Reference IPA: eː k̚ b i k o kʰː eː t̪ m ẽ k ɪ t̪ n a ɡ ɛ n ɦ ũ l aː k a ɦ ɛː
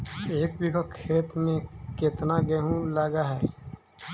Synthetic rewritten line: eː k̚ b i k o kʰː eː t̪ m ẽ k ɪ t̪ n a ɡ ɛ ɦ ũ l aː ɡ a ɦ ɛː